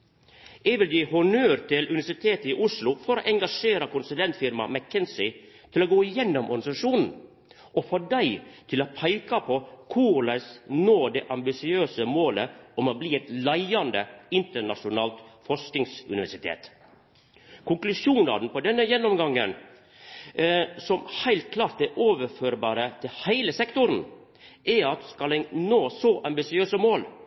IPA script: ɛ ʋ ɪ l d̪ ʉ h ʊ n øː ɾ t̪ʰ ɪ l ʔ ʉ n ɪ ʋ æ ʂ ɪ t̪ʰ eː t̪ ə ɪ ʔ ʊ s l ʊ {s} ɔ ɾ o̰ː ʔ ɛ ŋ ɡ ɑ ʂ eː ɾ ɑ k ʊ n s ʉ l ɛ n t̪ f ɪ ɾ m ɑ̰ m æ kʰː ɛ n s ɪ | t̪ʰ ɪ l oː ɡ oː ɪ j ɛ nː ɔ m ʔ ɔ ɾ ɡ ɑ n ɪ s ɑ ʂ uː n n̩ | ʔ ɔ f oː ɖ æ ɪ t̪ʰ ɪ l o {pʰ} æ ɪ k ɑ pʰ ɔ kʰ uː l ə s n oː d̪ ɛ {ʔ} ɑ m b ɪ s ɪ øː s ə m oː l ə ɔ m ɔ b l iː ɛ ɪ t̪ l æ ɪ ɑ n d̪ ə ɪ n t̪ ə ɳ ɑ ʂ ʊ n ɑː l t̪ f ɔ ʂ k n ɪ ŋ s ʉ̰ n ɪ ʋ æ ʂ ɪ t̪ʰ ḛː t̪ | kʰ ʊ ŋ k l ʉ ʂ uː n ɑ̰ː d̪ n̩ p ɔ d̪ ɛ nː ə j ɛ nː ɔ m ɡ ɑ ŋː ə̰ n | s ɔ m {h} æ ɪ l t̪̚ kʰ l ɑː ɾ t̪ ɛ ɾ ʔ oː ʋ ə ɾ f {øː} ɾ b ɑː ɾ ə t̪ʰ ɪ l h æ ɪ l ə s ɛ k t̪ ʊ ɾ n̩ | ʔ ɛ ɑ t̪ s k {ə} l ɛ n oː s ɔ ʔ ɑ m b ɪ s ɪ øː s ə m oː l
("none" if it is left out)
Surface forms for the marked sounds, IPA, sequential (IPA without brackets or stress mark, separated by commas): f, pʰ, ʔ, h, øː, ɑ